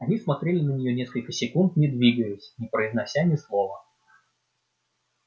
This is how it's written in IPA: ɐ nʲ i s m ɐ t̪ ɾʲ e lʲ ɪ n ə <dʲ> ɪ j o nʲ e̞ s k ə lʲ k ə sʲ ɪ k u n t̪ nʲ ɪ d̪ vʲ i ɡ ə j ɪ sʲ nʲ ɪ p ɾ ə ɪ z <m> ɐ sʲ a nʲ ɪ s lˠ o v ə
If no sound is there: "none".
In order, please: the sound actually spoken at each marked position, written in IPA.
nʲ, n

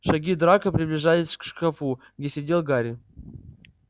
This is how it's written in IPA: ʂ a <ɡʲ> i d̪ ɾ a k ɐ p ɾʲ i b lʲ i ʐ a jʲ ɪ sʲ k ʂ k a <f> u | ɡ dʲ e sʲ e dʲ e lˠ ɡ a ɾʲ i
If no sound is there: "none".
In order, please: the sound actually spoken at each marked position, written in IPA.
ɡʲ, f

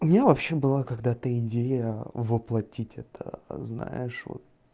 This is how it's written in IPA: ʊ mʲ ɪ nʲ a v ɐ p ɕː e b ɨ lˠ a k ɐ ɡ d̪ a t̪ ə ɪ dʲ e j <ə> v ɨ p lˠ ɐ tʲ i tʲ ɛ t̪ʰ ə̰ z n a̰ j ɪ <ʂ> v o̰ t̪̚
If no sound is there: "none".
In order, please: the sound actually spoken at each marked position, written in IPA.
ə, ʂ

